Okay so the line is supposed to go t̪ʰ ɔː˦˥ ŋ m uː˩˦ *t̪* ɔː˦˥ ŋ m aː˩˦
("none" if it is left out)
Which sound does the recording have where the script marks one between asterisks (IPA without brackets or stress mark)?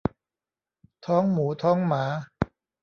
t̪ʰ